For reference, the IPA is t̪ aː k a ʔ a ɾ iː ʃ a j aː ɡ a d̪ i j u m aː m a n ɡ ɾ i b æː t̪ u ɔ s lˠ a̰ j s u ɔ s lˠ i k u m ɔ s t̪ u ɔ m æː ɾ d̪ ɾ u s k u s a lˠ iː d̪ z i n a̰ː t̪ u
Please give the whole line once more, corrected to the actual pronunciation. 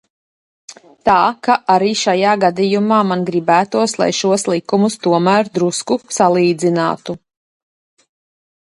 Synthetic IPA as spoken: t̪ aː k a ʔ a ɾ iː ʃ a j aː ɡ a d̪ i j u m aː m a n ɡ ɾ i b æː t̪ u ɔ s lˠ a̰ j ʃ u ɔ s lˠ i k u m u s t̪ u ɔ m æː ɾ d̪ ɾ u s k u s a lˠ iː d̪ z i n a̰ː t̪ u